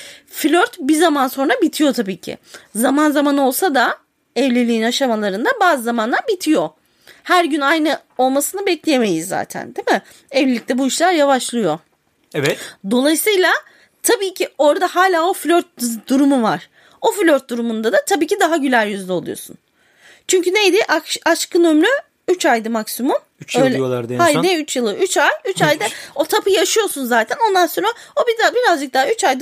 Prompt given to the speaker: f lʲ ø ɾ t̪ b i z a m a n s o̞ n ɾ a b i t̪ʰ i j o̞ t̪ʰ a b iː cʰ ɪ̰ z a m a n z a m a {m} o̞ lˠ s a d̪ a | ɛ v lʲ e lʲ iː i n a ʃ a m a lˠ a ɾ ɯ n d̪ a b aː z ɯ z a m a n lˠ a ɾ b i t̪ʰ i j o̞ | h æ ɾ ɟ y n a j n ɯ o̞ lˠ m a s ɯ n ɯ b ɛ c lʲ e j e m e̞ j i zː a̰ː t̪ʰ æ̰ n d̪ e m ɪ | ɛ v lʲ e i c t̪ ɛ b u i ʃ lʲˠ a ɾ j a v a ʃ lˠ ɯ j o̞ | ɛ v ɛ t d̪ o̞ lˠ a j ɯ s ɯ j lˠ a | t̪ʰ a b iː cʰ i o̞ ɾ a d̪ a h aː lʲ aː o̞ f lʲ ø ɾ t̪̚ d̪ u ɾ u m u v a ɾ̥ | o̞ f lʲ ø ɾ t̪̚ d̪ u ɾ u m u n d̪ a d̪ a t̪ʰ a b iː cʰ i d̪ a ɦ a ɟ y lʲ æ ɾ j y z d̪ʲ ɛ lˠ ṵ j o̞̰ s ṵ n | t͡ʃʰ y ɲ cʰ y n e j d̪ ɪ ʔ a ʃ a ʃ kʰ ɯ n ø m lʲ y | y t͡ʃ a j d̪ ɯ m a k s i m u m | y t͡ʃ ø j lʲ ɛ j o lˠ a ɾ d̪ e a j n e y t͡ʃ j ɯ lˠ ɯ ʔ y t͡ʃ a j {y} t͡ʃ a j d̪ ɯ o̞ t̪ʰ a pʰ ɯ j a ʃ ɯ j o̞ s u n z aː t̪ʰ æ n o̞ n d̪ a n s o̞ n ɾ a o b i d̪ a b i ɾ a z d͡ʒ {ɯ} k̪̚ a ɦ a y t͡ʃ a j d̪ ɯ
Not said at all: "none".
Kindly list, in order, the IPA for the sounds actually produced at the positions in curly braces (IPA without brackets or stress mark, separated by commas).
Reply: n, y, ɯ